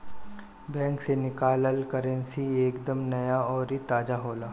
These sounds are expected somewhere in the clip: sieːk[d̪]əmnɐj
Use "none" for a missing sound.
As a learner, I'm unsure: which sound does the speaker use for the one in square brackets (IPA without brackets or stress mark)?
d̪